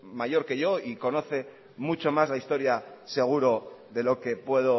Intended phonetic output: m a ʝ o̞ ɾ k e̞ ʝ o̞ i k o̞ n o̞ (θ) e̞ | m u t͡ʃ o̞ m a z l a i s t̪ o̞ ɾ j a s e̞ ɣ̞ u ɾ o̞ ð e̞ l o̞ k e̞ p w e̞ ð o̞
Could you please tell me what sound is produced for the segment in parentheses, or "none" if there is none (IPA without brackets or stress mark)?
θ